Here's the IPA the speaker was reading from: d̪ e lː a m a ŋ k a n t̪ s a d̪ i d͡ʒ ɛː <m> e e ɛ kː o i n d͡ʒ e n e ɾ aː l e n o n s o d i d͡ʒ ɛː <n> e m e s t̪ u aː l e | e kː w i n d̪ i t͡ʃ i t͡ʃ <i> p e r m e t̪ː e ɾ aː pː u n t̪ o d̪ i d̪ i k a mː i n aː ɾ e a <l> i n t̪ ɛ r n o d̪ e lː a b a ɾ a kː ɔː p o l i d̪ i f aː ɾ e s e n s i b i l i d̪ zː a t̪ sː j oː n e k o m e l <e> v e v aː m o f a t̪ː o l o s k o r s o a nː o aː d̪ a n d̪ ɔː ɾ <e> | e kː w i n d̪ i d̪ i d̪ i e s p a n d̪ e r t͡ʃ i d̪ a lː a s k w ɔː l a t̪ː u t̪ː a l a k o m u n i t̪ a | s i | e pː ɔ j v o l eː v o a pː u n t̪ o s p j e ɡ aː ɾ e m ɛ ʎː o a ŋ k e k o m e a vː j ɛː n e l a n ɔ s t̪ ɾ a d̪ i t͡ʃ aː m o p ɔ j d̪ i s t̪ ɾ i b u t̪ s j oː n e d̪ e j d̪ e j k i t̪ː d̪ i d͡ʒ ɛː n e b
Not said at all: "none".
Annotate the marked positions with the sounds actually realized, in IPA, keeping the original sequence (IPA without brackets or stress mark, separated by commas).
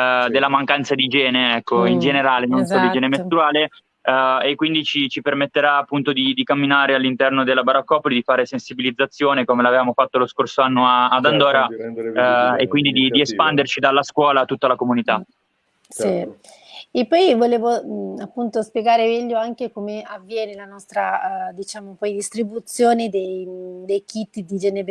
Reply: n, n, i, lː, a, a